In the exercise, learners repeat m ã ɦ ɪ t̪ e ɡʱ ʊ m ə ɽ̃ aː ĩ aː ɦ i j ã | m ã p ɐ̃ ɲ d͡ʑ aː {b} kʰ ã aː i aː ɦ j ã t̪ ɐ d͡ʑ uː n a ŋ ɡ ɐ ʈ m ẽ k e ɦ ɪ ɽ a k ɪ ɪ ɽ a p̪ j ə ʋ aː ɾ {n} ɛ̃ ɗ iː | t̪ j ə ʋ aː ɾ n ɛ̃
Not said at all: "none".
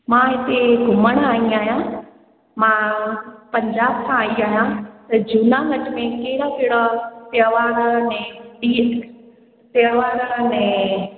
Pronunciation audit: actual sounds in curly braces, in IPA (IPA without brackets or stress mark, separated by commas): b, n